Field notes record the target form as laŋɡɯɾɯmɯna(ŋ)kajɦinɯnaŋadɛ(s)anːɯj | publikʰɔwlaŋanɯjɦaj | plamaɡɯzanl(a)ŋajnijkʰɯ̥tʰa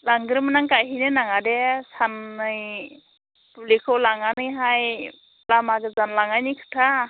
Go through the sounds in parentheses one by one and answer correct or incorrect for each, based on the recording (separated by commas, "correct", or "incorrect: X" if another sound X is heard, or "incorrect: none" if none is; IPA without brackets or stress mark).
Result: correct, correct, correct